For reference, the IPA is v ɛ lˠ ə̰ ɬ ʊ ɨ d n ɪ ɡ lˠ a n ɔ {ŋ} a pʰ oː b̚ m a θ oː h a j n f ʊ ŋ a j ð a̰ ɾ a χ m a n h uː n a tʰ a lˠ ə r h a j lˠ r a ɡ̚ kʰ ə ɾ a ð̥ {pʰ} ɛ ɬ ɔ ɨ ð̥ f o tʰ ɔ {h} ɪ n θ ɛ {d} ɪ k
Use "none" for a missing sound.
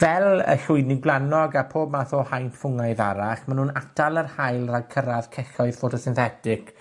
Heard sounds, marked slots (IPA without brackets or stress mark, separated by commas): ɡ, kʰ, s, t